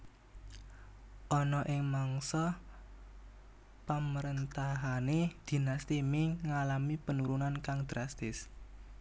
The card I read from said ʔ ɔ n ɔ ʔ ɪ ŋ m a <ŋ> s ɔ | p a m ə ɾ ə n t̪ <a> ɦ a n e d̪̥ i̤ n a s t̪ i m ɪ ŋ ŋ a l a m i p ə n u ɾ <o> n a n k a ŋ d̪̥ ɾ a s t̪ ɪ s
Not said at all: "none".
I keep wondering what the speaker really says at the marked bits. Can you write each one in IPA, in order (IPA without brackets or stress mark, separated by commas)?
ŋ, a, u